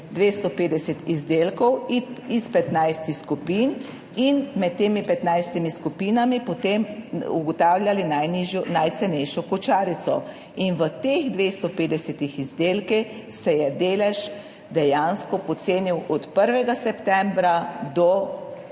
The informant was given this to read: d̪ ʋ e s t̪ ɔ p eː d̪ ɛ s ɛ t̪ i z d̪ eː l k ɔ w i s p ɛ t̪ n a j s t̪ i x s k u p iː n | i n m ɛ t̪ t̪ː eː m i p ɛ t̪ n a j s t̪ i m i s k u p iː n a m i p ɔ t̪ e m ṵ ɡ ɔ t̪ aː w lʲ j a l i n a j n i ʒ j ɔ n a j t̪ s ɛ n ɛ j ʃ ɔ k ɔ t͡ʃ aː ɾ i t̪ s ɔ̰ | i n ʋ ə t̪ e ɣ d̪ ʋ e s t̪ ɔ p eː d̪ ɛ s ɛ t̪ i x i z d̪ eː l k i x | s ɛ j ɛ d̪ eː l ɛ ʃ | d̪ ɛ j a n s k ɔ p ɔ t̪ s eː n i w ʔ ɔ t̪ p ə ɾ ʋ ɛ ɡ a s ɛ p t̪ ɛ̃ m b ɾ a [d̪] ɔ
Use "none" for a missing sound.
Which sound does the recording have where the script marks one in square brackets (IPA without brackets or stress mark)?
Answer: d̪